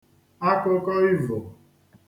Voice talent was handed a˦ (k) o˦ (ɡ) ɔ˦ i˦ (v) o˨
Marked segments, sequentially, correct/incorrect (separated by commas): correct, incorrect, correct